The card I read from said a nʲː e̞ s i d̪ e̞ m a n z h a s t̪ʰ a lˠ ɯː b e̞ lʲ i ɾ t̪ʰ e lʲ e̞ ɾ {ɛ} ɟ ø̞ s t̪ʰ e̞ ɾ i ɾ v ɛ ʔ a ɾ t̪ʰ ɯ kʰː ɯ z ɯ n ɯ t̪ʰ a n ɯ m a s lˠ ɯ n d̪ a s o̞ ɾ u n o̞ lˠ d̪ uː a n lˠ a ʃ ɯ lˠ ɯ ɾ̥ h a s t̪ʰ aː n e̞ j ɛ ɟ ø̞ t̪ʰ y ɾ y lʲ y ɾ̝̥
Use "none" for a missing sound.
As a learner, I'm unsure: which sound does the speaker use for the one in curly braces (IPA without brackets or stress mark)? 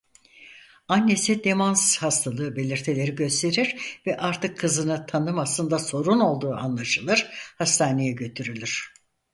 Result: i